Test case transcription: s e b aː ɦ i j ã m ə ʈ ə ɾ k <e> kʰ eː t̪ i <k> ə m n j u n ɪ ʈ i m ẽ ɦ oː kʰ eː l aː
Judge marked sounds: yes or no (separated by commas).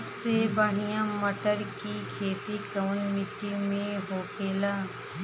no, yes